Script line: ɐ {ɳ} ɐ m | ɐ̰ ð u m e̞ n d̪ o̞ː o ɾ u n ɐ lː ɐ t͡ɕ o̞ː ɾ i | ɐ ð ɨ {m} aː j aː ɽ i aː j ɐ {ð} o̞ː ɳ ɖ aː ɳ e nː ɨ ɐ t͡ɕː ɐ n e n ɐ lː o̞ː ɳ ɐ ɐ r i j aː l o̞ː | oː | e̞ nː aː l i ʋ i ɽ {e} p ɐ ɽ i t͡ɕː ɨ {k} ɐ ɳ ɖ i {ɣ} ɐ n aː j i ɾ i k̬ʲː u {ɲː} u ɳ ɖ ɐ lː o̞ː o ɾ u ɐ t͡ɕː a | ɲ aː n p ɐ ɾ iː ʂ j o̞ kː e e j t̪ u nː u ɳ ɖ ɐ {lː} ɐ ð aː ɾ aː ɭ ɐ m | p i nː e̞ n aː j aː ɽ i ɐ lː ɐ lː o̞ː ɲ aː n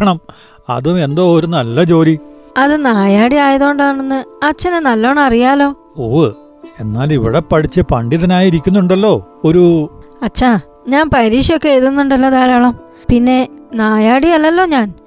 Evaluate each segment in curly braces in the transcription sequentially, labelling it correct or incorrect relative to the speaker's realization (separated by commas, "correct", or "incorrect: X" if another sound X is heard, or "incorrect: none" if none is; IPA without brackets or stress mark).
correct, incorrect: n, correct, correct, incorrect: p, incorrect: ð, incorrect: nː, correct